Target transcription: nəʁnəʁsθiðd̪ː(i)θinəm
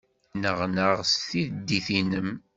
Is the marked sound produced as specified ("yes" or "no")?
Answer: yes